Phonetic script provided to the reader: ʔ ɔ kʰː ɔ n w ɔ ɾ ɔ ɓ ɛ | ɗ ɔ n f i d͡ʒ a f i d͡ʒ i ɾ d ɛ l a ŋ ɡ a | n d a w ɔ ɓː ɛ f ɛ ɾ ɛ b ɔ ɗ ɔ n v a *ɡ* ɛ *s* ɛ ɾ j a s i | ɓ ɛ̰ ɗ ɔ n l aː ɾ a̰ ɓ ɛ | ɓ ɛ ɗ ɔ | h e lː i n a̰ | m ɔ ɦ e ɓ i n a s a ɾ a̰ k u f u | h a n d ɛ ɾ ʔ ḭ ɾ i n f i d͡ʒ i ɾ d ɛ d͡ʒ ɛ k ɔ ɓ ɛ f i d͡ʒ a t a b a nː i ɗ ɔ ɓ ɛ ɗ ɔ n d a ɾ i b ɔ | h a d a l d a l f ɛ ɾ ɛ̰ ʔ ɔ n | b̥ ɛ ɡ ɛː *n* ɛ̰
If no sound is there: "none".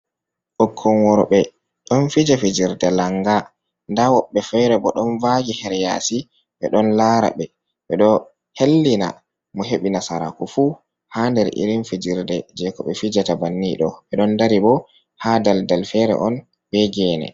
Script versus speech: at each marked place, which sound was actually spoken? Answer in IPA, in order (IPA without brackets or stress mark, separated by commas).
ɡ, h, n